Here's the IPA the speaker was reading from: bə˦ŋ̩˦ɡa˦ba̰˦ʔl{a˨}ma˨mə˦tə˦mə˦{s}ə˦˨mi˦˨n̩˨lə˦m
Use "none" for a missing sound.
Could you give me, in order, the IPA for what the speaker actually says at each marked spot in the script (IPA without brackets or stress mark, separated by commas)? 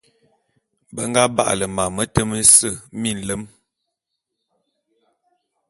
ə˨, s